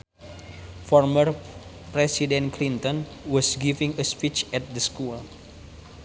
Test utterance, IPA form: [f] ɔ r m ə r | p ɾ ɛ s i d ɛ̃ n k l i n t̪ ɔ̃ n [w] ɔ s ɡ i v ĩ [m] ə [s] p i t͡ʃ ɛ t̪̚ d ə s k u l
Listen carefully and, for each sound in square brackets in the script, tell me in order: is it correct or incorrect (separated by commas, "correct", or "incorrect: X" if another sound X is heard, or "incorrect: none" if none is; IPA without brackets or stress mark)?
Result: correct, correct, incorrect: ŋ, correct